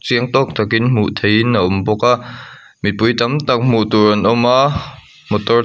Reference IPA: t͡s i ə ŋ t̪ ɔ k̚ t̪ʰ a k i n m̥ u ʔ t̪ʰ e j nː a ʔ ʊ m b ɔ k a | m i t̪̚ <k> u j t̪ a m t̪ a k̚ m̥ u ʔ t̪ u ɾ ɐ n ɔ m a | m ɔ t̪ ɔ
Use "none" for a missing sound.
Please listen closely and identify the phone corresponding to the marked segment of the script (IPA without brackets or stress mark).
p